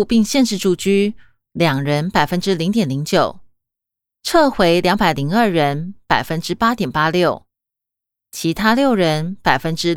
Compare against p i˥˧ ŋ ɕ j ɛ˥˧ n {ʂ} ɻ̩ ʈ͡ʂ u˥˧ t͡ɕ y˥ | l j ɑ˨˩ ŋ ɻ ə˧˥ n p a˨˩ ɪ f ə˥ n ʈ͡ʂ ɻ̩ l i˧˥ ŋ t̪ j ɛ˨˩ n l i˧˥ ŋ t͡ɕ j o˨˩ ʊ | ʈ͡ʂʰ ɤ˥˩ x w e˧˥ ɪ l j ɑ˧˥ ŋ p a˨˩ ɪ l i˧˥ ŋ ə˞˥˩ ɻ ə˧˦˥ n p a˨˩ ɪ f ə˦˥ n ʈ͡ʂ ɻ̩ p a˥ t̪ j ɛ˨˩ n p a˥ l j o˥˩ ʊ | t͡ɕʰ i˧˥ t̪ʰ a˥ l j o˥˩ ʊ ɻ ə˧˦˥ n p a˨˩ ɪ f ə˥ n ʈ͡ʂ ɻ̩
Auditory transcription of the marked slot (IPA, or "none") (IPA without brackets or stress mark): ʂ